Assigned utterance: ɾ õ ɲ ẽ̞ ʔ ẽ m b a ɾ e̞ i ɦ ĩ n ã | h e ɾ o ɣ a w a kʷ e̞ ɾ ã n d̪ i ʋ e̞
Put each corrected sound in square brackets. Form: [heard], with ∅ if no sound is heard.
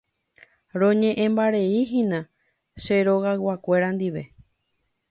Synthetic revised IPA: ɾ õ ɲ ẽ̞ ʔ ẽ m b a ɾ e̞ i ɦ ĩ n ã | [ʃ] e ɾ o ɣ a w a kʷ e̞ ɾ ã n d̪ i ʋ e̞